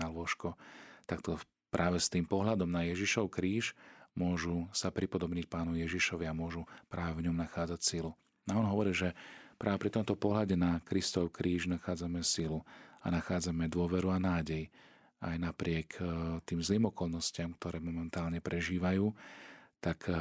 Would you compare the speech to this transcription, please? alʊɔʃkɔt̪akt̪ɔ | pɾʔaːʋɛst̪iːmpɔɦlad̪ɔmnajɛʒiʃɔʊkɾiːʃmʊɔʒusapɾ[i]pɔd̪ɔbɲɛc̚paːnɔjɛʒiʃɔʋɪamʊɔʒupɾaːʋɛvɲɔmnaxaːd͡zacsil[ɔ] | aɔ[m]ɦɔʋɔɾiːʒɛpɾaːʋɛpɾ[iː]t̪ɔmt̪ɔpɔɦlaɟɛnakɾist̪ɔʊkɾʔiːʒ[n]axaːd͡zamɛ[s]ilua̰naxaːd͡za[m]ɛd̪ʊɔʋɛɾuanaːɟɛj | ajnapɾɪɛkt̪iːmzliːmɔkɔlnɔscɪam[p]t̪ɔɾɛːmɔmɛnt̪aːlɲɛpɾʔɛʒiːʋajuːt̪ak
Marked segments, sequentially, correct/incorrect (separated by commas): correct, incorrect, incorrect, incorrect, correct, correct, correct, incorrect